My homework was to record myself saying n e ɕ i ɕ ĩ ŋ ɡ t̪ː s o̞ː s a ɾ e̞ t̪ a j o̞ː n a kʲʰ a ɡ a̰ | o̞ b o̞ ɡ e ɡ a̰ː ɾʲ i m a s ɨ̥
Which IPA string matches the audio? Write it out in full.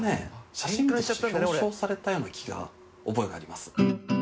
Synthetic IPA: n e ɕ a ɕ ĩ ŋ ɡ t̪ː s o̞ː s a ɾ e̞ t̪ a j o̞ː n a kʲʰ i ɡ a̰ | o̞ b o̞ e ɡ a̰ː ɾʲ i m a s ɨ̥